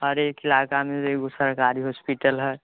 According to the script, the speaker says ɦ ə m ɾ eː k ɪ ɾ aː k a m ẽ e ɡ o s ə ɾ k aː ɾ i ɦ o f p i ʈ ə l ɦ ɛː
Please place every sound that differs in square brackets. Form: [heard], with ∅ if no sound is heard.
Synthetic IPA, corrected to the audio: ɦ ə [∅] ɾ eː k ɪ [l] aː k a m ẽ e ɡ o s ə ɾ k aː ɾ i ɦ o [s] p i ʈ ə l ɦ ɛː